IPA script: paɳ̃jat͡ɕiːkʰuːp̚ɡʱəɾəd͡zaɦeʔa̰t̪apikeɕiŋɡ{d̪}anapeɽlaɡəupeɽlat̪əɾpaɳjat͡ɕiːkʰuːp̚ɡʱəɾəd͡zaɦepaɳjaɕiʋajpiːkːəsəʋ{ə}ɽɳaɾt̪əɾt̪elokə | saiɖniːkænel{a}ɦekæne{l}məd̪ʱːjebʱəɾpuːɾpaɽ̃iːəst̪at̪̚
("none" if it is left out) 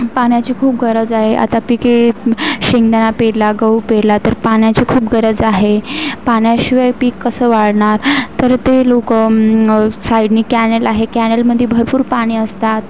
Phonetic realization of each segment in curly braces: d̪, a, a, l

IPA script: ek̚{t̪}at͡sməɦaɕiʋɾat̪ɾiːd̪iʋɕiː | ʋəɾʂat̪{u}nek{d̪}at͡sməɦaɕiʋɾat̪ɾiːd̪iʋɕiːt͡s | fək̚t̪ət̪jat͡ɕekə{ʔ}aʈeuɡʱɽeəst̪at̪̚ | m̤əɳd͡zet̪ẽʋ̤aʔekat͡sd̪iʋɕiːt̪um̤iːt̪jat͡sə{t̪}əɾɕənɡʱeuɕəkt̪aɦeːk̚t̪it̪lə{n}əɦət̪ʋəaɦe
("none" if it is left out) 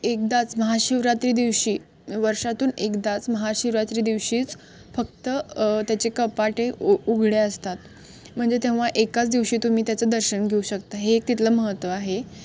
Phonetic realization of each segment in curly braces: d̪, uː, d̪, p, d̪, m

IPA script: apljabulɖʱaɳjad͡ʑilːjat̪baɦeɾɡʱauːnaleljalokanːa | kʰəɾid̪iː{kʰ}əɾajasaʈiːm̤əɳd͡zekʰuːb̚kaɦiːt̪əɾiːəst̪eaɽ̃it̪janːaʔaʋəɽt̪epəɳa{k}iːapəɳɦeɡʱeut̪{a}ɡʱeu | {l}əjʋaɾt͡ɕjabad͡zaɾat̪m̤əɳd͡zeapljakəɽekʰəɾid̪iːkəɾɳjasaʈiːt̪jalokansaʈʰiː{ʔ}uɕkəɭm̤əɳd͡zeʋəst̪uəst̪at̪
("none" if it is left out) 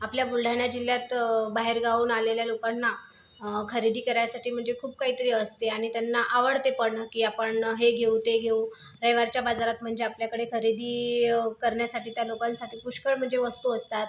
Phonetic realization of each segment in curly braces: k, k, e, ɾ, p

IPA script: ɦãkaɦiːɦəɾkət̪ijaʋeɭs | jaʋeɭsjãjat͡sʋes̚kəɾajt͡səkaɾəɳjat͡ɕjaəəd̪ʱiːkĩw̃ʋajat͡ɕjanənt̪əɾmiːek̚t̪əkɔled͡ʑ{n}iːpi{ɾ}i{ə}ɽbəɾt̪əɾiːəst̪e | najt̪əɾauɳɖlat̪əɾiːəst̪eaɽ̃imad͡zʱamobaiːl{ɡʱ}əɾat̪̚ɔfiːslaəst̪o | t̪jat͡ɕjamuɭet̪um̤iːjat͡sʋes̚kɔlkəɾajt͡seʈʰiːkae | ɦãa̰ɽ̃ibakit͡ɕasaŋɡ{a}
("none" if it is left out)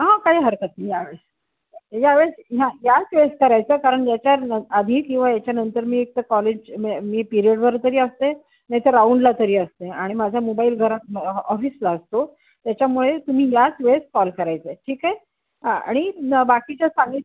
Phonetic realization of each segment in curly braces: m, ɾ, ə, ɡʱ, i

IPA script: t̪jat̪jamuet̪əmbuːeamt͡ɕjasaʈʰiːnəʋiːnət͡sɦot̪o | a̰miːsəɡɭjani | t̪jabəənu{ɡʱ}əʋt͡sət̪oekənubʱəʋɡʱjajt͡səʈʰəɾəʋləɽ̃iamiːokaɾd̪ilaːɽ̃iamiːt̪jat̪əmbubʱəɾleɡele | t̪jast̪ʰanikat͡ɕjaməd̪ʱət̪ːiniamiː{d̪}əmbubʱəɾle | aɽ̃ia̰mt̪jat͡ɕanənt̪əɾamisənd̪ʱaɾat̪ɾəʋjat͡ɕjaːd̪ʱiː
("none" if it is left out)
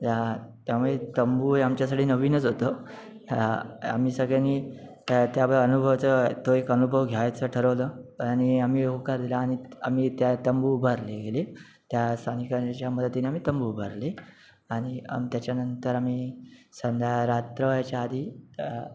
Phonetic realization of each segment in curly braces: bʱ, t̪

